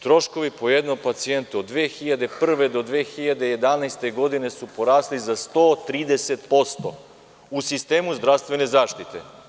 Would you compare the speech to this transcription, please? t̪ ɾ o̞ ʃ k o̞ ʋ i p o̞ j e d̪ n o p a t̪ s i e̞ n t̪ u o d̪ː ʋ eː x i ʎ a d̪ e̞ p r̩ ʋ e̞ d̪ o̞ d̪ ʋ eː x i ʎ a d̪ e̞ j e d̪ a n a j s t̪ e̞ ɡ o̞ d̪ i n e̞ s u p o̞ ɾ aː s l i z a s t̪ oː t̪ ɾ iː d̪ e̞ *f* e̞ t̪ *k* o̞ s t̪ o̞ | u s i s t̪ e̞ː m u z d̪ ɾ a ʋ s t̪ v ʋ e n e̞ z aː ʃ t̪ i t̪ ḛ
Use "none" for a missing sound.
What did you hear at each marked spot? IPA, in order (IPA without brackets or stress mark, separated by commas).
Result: s, p